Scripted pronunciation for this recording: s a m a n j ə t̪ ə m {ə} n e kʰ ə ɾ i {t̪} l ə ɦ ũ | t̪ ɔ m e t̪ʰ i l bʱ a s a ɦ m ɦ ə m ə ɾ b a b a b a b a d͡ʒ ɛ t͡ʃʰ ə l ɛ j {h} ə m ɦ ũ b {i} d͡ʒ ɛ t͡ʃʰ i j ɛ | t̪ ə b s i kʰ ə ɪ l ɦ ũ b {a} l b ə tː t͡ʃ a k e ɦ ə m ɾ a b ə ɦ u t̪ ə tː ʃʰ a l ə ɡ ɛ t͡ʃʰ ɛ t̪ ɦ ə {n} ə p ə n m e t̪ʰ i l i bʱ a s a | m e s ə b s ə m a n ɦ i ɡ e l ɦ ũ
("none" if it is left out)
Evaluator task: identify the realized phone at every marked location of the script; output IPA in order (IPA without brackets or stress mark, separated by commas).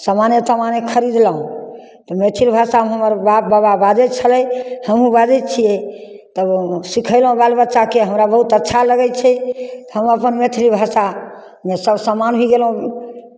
a, d̪, h, a, a, m